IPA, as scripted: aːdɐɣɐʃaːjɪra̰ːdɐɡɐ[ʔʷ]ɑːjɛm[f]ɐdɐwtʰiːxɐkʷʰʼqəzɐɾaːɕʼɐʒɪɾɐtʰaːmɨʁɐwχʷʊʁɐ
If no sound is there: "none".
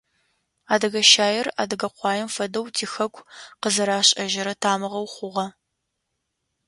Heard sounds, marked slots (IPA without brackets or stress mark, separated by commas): qʷ, f